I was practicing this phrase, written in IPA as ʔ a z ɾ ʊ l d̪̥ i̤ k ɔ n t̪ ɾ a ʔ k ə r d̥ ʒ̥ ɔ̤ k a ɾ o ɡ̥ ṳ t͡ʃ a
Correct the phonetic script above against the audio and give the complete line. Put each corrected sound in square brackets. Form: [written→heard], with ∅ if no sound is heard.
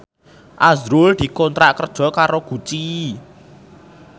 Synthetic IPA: ʔ a z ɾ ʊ l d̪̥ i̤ k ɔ n t̪ ɾ a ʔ k ə r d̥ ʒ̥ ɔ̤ k a ɾ o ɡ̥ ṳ t͡ʃ [a→i]